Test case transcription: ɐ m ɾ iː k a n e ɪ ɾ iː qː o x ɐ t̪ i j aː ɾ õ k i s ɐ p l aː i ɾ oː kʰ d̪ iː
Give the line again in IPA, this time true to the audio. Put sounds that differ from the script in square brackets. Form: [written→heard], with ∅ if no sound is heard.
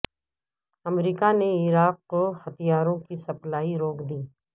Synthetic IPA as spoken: ɐ m ɾ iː k a n e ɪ ɾ [iː→aː] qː o x ɐ t̪ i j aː ɾ õ k i s ɐ p l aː i ɾ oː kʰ d̪ iː